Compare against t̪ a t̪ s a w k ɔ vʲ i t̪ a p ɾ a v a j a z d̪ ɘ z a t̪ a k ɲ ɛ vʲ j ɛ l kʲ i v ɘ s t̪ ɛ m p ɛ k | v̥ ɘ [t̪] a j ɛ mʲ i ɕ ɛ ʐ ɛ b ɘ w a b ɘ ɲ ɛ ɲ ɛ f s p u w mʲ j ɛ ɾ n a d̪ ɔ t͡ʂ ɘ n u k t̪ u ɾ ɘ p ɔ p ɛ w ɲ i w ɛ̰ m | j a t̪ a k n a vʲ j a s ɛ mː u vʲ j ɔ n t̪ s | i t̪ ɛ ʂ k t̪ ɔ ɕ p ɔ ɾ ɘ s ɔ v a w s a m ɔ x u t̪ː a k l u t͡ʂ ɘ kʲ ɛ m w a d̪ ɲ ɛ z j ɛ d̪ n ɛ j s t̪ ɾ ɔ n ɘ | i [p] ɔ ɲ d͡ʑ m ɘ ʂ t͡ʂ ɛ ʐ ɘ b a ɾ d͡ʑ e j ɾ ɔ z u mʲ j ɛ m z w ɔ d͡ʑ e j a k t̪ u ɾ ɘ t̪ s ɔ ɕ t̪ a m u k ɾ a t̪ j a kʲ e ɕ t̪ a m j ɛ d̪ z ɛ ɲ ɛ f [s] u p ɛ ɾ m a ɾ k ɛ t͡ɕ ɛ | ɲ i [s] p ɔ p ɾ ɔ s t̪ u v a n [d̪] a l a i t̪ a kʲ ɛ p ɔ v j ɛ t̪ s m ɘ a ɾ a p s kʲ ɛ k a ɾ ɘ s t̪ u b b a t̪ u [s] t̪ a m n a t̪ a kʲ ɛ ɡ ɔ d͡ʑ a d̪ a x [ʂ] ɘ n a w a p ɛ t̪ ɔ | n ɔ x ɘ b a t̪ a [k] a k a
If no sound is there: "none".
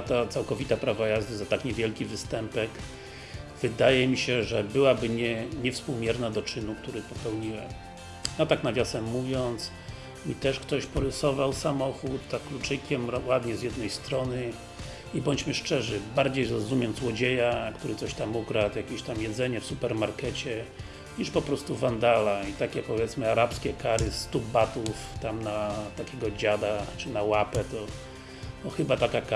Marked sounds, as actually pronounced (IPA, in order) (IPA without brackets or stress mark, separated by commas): d̪, b, s, ʂ, d̪, f, t͡ʂ, k